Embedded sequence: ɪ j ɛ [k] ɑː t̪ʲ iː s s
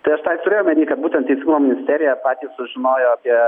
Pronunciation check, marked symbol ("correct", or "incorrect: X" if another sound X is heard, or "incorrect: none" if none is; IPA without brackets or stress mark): incorrect: p